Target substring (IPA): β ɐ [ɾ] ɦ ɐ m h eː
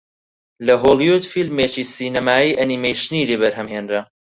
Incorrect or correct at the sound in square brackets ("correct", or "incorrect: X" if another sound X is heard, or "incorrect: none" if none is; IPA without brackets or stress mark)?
correct